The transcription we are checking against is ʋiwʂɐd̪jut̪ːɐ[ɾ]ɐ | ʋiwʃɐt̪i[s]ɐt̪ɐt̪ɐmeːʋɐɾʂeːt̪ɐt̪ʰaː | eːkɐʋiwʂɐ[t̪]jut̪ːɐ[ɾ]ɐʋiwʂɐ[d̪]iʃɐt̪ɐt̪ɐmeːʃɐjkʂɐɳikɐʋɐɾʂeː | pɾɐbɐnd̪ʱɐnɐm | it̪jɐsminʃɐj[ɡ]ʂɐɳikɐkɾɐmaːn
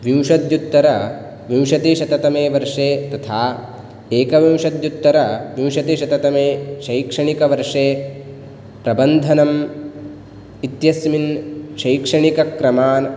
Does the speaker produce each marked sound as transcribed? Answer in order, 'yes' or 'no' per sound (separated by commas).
yes, no, no, yes, no, no